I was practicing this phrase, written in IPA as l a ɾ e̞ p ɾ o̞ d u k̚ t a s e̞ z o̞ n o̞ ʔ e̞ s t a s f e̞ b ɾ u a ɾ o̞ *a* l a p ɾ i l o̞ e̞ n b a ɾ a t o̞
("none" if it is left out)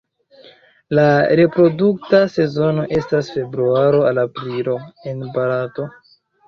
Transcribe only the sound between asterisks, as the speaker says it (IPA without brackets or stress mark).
a